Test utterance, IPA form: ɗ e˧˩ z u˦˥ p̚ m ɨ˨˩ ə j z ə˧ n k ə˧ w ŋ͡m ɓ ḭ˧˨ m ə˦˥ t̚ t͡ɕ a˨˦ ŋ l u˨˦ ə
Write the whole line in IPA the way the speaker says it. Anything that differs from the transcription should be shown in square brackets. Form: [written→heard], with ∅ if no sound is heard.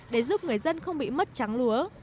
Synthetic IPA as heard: ɗ e˧˩ z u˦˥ p̚ [m→ŋ] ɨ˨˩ ə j z ə˧ n [k→x] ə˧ w ŋ͡m ɓ ḭ˧˨ m ə˦˥ t̚ t͡ɕ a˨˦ ŋ l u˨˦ ə